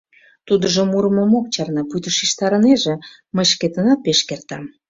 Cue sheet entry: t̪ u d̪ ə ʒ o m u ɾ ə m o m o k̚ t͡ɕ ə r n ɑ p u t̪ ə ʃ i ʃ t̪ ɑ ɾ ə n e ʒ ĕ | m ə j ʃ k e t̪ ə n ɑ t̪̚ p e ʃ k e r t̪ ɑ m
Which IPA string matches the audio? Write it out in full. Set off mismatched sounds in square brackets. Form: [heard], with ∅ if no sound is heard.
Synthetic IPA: t̪ u d̪ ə ʒ o m u ɾ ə m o m o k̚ t͡ɕ [ɑ] r n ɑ p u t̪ ə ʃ i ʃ t̪ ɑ ɾ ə n e ʒ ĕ | m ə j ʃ k e t̪ ə n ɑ t̪̚ p e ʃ k e r t̪ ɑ m